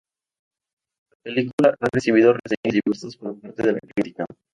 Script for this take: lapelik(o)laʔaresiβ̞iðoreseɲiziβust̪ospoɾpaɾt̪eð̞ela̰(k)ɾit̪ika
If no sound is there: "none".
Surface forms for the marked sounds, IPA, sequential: u, k

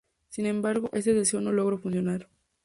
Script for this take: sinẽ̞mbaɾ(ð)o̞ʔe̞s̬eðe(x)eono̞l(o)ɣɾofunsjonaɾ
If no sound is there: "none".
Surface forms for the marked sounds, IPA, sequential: ɣ, s, o

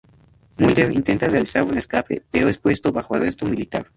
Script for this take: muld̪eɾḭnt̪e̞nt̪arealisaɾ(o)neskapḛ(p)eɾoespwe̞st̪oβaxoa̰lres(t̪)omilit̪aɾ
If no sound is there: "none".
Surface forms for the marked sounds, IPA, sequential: u, p, t̪

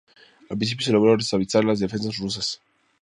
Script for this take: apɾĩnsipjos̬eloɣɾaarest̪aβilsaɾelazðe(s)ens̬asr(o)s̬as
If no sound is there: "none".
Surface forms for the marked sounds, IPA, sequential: f, u

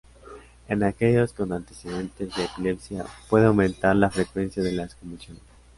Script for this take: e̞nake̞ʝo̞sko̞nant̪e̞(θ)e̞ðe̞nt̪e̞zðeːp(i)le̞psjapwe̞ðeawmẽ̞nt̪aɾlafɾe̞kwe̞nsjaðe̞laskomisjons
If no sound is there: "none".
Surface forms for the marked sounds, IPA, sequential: s, i

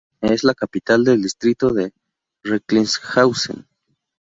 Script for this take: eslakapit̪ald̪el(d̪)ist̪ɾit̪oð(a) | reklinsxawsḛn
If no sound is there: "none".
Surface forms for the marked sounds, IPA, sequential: d̪, e

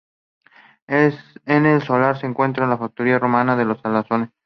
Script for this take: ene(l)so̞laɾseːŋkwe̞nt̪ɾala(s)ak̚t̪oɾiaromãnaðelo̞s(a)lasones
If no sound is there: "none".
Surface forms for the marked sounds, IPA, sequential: l, f, a

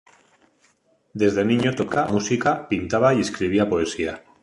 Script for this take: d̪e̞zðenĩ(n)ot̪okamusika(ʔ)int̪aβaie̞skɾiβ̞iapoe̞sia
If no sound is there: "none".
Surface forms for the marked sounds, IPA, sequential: ɲ, p

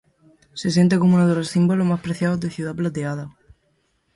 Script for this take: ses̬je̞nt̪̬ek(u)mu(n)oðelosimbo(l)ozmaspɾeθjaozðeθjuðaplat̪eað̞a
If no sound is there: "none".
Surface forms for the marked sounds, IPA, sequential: o, n, l

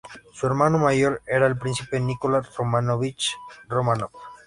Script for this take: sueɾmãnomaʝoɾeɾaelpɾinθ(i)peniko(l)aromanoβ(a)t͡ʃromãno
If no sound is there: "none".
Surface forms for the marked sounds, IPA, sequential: i, l, i

